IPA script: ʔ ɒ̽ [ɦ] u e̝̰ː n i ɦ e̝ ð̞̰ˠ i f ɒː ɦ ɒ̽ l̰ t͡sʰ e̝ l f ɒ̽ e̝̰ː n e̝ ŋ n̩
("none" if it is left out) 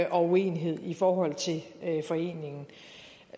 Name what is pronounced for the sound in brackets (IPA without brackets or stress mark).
none